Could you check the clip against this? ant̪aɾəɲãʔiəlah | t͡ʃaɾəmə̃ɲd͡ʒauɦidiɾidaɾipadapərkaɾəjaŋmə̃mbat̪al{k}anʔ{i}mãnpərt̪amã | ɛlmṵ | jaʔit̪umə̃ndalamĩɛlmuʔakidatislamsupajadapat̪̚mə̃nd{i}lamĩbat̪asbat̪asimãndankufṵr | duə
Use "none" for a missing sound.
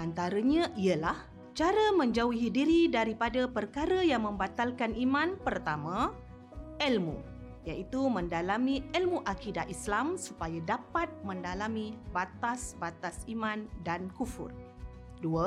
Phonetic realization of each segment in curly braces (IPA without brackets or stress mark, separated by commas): k, i, a